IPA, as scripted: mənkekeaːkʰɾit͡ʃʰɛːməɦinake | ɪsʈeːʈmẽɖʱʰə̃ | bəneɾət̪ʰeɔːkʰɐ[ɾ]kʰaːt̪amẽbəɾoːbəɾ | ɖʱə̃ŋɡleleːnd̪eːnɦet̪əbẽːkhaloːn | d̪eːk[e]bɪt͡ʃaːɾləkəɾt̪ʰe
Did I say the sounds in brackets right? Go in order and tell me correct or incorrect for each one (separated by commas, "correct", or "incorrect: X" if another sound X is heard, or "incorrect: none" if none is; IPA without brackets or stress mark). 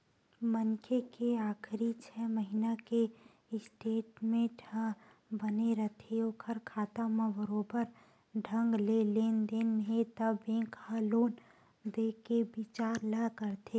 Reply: correct, correct